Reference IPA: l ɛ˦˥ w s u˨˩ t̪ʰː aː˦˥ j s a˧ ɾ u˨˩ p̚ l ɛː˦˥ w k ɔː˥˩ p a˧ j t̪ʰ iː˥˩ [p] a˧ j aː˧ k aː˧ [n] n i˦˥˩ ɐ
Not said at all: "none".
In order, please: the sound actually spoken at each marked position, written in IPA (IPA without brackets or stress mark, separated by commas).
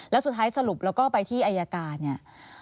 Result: ʔ, n